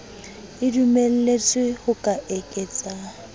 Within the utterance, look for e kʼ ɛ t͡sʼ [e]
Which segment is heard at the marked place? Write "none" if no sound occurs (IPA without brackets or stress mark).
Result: a